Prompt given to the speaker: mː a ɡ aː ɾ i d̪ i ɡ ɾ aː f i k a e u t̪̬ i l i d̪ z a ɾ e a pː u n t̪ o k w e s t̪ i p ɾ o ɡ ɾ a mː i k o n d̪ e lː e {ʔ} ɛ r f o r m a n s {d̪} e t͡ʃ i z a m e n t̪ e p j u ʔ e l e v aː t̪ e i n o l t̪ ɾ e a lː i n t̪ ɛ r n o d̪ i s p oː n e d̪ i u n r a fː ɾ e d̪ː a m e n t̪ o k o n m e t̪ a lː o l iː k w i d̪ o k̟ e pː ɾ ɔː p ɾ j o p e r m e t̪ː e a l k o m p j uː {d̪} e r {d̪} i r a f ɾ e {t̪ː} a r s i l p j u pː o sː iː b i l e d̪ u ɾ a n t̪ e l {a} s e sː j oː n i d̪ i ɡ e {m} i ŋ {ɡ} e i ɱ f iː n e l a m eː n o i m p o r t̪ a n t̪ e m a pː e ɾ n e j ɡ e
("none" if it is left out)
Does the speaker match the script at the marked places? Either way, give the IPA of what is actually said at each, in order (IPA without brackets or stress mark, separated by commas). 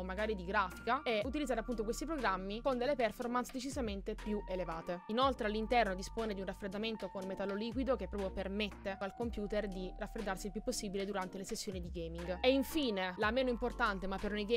p, d̪, t̪, d̪, d̪ː, e, m, ɡ